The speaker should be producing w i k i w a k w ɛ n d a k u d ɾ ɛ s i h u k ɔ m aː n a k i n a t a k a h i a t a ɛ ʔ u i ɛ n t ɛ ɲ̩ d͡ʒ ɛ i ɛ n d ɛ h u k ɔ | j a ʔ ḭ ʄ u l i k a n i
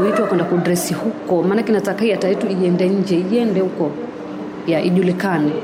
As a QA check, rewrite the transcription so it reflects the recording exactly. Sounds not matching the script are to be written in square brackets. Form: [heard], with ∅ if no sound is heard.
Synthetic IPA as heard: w i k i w a k w ɛ n d a k u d ɾ ɛ s i h u k ɔ m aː n a k i n a t a k a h i a t a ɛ [t] u i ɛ n [d] ɛ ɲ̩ d͡ʒ ɛ i ɛ n d ɛ h u k ɔ | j a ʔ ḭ ʄ u l i k a n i